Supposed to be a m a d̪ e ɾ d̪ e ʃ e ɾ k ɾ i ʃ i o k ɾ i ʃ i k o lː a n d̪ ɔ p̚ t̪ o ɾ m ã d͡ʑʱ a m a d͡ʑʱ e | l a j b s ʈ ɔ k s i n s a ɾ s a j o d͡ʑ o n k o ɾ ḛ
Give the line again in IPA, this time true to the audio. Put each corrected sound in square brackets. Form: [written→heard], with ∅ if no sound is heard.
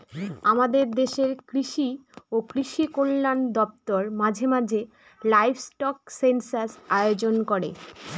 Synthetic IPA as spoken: a m a d̪ e ɾ d̪ e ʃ e ɾ k ɾ i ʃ i o k ɾ i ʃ i k o lː a n d̪ ɔ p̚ t̪ o ɾ m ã d͡ʑʱ [a→e] m a d͡ʑʱ e | l a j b s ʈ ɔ k s [i→e] n s a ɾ s a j o d͡ʑ o n k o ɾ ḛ